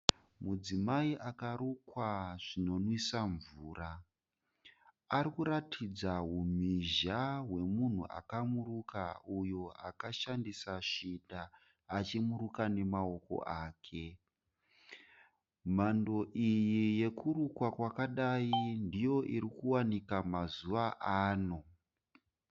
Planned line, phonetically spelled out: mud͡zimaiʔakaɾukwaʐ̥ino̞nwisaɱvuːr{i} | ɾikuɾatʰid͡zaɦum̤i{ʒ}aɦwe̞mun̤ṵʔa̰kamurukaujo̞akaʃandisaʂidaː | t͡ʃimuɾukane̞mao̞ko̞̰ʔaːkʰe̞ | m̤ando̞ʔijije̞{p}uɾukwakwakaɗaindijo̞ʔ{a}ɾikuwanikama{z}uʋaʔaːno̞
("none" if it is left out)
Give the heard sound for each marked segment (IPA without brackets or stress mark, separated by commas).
a, ʒ, k, i, z